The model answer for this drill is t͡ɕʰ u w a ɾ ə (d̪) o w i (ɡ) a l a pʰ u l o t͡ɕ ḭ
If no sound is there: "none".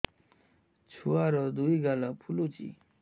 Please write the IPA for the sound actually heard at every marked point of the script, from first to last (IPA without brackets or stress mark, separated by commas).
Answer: d̪, ɡ